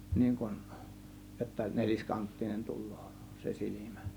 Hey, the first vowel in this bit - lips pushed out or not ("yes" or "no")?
no